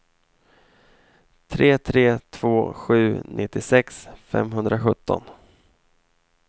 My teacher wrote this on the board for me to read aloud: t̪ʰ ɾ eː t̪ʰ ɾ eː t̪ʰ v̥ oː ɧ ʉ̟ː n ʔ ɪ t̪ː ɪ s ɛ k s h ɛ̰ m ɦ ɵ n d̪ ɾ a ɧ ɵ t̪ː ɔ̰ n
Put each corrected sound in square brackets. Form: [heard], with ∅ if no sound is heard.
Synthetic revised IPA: t̪ʰ ɾ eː t̪ʰ ɾ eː t̪ʰ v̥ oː ɧ ʉ̟ː n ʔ ɪ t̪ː ɪ s ɛ k s [f] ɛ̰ m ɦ ɵ n d̪ ɾ a ɧ ɵ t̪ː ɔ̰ n